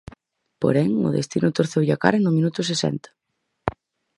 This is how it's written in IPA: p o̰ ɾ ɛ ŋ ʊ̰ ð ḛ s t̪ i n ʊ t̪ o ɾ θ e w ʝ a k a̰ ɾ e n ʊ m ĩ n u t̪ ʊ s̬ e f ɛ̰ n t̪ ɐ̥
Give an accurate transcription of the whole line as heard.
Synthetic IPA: p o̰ ɾ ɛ ŋ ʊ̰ ð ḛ s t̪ i n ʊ t̪ o ɾ θ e w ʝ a k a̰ ɾ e n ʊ m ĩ n u t̪ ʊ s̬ e s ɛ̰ n t̪ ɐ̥